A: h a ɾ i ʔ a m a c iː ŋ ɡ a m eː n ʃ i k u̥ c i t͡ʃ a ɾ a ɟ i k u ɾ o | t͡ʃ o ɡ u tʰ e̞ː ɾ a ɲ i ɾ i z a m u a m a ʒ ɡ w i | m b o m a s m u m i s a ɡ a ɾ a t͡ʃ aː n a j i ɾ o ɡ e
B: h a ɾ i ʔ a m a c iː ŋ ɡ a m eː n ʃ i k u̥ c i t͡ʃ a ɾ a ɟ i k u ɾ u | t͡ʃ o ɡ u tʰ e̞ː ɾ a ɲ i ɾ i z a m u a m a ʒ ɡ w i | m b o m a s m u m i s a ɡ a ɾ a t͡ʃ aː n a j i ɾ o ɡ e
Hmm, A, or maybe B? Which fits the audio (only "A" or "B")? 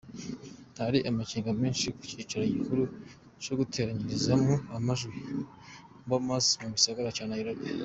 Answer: B